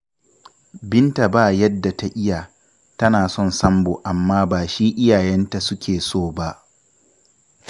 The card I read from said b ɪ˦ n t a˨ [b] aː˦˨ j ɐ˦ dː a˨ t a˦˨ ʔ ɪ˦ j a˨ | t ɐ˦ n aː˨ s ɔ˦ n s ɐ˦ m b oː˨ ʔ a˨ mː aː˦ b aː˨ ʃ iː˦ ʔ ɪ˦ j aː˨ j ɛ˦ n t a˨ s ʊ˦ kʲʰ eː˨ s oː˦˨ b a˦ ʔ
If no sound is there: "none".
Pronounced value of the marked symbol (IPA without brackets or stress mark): b